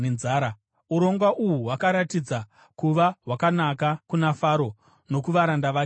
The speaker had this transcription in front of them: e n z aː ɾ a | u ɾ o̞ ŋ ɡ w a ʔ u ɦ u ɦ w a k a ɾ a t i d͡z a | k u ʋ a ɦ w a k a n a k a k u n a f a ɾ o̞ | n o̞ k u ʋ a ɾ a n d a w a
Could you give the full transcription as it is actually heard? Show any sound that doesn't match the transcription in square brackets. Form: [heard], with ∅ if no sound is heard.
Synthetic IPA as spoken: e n z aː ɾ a | u ɾ o̞ ŋ ɡ w a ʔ u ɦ u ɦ w a k a ɾ a t i d͡z a | k u ʋ a ɦ w a k a n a k a k u n a f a ɾ o̞ | n o̞ k u ʋ a ɾ a n d a [ʋ] a